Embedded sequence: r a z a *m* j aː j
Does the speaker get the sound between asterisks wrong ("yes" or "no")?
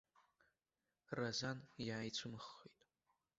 yes